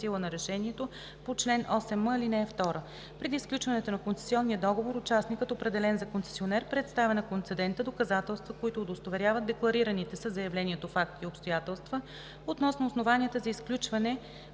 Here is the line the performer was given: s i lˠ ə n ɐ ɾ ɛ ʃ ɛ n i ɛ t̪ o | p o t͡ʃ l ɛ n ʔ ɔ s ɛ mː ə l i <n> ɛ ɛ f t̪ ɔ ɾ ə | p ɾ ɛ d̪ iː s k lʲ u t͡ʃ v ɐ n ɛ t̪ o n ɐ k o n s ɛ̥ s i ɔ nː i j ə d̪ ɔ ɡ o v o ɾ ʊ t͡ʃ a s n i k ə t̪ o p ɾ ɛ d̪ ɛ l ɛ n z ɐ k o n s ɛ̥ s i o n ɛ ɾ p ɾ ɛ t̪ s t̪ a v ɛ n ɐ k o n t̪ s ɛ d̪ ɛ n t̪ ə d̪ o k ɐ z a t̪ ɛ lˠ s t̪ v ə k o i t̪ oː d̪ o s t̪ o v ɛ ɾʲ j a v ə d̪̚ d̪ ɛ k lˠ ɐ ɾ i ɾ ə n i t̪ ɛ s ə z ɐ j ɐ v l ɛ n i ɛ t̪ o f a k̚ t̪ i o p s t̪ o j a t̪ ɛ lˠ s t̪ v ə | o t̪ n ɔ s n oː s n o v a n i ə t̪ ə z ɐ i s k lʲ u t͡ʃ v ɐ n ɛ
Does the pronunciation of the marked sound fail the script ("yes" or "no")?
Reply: no